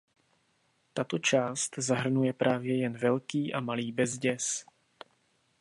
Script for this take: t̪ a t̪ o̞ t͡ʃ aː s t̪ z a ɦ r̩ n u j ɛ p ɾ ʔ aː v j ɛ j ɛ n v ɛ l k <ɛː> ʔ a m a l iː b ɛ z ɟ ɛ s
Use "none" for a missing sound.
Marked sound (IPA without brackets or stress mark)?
iː